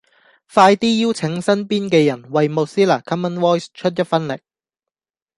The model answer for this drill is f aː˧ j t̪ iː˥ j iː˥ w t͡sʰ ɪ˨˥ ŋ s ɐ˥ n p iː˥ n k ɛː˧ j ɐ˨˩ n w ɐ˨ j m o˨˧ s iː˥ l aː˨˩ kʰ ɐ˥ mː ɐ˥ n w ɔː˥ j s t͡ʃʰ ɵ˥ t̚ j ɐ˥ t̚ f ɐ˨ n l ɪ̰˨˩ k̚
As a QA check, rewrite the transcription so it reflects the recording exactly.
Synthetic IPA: f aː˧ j t̪ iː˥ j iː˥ w t͡sʰ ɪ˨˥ ŋ s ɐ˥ n p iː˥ n k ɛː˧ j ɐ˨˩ n w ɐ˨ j m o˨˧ s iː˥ l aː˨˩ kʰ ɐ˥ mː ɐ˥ n w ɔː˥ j s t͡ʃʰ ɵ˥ t̚ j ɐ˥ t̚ f ɐ˥ n l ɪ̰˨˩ k̚